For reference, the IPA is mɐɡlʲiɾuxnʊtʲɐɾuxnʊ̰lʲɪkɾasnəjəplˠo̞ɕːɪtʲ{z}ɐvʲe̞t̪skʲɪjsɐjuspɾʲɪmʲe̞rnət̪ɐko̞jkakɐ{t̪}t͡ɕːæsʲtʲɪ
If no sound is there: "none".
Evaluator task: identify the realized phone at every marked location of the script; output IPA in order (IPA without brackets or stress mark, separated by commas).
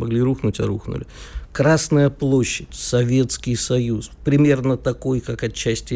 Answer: s, none